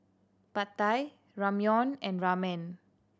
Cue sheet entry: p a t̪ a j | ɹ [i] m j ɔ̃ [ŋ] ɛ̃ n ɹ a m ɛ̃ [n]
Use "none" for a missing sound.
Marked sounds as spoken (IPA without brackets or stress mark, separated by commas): a, n, n